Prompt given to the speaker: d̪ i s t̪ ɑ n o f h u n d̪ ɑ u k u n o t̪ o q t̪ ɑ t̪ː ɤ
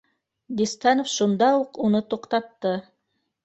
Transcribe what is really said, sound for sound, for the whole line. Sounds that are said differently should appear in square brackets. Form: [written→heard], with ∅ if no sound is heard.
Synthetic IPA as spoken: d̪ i s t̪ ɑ n o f [h→ʃ] u n d̪ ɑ u [k→q] u n [o→ɤ] t̪ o q t̪ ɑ t̪ː ɤ